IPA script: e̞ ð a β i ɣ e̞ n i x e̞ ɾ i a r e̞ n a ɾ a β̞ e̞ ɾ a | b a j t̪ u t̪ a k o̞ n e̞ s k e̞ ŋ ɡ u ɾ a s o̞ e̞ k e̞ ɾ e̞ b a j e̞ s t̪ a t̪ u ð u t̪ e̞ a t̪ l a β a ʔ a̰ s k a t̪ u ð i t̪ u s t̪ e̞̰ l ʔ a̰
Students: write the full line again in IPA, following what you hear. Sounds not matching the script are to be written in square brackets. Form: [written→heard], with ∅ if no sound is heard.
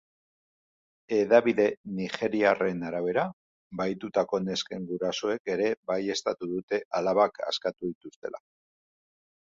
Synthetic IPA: e̞ ð a β i [ɣ→ð] e̞ n i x e̞ ɾ i a r e̞ n a ɾ a β̞ e̞ ɾ a | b a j t̪ u t̪ a k o̞ n e̞ s k e̞ ŋ ɡ u ɾ a s o̞ e̞ k e̞ ɾ e̞ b a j e̞ s t̪ a t̪ u ð u t̪ e̞ a [t̪→∅] l a β a [ʔ→k] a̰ s k a t̪ u ð i t̪ u s t̪ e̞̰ l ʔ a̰